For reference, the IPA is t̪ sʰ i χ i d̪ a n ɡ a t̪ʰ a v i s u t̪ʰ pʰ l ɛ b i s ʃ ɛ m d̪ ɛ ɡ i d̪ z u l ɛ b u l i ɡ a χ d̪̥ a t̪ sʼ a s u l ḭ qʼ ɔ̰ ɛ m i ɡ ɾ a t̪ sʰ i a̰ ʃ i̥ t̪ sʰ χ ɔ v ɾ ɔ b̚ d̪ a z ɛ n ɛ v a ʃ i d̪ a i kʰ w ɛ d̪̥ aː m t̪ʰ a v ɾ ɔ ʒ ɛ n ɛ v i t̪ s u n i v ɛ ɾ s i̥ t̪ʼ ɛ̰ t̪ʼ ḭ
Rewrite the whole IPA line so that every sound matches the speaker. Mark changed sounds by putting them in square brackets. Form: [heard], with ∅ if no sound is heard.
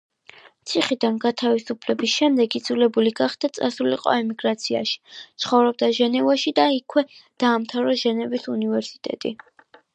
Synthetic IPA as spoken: t̪ sʰ i χ i d̪ a n ɡ a t̪ʰ a v i s u [∅] pʰ l ɛ b i s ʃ ɛ m d̪ ɛ ɡ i d̪ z u l ɛ b u l i ɡ a χ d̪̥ a t̪ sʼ a s u l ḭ qʼ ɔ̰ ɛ m i ɡ ɾ a t̪ sʰ i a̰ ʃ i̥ t̪ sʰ χ ɔ v ɾ ɔ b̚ d̪ a [ʒ] ɛ n ɛ v a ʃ i d̪ a i kʰ w ɛ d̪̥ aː m t̪ʰ a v ɾ ɔ ʒ ɛ n ɛ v i [∅] s u n i v ɛ ɾ s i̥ t̪ʼ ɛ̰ t̪ʼ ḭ